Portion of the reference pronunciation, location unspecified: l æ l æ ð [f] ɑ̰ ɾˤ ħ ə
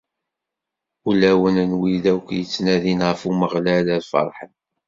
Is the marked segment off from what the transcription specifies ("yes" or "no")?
no